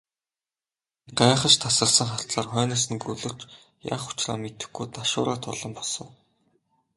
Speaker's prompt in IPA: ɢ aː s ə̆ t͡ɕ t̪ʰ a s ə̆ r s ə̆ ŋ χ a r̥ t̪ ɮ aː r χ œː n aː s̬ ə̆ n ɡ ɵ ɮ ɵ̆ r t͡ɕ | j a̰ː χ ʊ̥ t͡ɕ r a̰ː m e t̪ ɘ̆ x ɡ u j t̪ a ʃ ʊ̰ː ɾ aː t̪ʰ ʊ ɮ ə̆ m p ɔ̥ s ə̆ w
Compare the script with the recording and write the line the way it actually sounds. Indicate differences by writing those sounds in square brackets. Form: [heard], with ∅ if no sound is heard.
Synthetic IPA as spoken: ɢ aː [χ] ə̆ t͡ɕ t̪ʰ a s ə̆ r s ə̆ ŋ χ a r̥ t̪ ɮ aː r χ œː n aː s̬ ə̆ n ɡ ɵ ɮ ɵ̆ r t͡ɕ | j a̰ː χ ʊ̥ t͡ɕ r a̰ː m e t̪ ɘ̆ x ɡ u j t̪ a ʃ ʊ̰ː ɾ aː t̪ʰ ʊ ɮ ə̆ m p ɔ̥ s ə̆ w

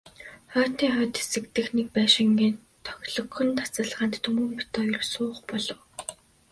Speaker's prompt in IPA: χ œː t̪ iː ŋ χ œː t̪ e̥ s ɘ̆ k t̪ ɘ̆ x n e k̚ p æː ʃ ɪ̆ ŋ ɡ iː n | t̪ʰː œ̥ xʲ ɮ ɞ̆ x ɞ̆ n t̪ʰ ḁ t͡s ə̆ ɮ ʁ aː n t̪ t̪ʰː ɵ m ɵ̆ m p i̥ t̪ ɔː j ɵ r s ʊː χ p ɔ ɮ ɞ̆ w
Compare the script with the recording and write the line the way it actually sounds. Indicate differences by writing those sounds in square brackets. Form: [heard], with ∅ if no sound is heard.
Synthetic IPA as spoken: χ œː t̪ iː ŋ χ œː t̪ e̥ s ɘ̆ k t̪ ɘ̆ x n e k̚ p æː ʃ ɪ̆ ŋ ɡ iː n | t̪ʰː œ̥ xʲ ɮ ɞ̆ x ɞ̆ n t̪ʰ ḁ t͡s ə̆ ɮ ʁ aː n t̪ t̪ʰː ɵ m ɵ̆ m p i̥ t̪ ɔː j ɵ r s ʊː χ p ɔ ɮ ɞ̆ w

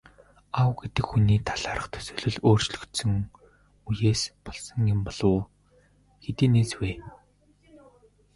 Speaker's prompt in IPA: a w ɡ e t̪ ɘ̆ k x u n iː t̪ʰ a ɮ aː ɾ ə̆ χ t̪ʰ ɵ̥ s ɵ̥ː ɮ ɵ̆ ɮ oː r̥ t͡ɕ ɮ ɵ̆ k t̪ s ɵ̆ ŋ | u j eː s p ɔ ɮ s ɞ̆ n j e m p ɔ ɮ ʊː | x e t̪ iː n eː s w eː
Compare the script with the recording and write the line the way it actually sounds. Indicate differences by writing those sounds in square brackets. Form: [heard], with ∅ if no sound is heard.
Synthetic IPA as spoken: a w ɡ e t̪ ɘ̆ k x u n iː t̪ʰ a ɮ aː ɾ ə̆ χ t̪ʰ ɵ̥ s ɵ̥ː ɮ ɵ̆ ɮ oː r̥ t͡ɕ ɮ ɵ̆ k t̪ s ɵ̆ ŋ | u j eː s p ɔ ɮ s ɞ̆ [ŋ] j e m p ɔ ɮ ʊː | x e t̪ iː n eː s w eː

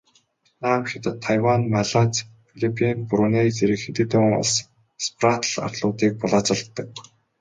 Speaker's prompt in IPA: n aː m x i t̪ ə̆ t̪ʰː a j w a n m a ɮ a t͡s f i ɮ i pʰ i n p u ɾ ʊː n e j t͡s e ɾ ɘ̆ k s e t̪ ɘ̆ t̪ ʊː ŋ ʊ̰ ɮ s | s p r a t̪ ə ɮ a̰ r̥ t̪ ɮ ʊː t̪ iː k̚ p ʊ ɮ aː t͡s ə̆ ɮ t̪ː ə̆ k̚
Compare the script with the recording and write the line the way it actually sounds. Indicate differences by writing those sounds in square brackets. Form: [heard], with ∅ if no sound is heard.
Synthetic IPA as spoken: n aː m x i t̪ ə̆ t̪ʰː a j w a n m a ɮ a t͡s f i ɮ i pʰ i n p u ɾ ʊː n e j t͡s e ɾ ɘ̆ k [x] e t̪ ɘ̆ t̪ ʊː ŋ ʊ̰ ɮ s | s p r a t̪ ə ɮ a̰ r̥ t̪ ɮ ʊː t̪ iː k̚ p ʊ ɮ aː t͡s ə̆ ɮ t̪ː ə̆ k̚

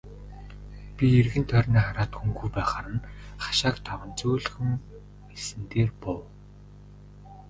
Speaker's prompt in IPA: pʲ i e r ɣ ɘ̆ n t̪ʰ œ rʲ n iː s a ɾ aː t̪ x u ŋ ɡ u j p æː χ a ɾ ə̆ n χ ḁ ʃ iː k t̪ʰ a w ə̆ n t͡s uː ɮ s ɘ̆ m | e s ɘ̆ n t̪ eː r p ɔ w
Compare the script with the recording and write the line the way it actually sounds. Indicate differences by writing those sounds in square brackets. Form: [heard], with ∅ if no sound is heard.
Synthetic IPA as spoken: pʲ i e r ɣ ɘ̆ n t̪ʰ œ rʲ n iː [χ] a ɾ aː t̪ x u ŋ ɡ u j p æː χ a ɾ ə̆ n χ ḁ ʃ [aː] k t̪ʰ a w ə̆ n t͡s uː ɮ [x] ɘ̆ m | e s ɘ̆ n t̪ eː r p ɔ w

